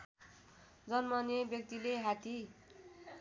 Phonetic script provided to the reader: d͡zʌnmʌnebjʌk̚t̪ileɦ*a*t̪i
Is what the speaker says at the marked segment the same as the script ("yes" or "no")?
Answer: yes